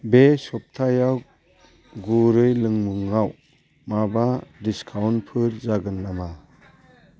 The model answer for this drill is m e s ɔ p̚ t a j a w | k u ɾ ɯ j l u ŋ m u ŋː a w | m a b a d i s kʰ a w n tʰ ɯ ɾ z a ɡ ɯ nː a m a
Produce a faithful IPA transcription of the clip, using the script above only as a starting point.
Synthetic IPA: b e s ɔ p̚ tʰ a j a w | ɡ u ɾ ɯ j l ɯ ŋ m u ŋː a w | m a b a d i s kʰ a w n pʰ ɯ ɾ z a ɡ ɯ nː a m a